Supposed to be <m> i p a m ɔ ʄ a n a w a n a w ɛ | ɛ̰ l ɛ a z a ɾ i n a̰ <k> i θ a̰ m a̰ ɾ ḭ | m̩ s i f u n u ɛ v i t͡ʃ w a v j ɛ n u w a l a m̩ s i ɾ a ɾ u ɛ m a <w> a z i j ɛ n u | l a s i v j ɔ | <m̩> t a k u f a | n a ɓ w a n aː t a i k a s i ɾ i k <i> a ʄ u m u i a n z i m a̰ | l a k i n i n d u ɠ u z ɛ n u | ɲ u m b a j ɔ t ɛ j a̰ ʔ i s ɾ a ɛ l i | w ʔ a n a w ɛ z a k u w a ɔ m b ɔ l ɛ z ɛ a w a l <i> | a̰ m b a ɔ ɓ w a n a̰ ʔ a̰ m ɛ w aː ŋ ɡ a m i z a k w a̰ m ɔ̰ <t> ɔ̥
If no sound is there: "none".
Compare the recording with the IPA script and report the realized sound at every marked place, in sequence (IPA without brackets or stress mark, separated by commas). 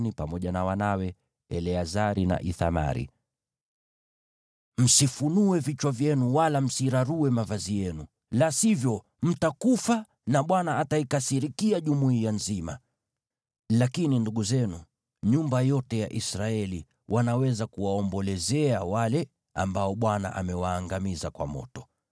n, ʔ, v, m̩, i, ɛ, t